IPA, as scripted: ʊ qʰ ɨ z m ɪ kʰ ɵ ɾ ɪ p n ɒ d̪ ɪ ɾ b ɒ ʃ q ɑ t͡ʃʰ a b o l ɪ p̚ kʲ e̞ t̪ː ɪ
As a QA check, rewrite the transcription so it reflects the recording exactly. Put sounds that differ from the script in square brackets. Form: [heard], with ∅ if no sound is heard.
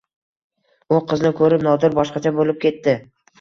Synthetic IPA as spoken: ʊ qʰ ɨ z [n] ɪ kʰ ɵ ɾ ɪ p n ɒ d̪ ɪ ɾ b ɒ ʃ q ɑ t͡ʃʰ a b o l ɪ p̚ kʲ e̞ t̪ː ɪ